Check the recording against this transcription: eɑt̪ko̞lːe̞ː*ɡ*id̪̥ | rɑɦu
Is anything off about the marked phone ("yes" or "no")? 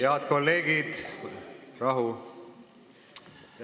no